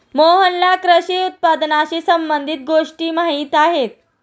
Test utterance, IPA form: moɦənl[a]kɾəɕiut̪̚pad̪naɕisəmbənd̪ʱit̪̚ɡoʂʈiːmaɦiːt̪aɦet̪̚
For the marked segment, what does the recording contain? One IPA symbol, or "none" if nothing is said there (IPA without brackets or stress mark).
a